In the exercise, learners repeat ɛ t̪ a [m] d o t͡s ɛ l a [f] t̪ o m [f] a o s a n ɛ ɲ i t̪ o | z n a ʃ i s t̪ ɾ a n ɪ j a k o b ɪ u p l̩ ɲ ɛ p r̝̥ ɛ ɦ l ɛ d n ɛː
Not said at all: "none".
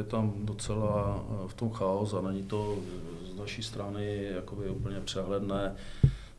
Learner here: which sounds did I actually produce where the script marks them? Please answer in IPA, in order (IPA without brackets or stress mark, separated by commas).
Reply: m, f, x